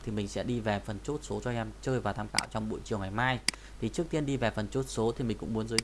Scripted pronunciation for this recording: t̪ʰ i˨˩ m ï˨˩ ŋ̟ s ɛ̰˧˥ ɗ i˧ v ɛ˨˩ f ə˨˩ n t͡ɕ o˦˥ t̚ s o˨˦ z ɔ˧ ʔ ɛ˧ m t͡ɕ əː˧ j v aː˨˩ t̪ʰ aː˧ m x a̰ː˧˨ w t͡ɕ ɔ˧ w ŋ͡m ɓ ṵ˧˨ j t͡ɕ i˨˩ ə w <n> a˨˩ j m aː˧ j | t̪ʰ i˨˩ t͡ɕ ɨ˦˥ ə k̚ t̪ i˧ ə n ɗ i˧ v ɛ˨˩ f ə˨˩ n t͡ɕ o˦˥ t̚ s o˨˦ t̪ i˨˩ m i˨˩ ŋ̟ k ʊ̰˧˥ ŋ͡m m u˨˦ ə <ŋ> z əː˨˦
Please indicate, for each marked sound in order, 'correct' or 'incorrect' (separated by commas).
incorrect, incorrect